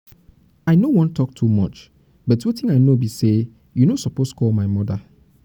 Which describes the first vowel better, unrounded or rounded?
unrounded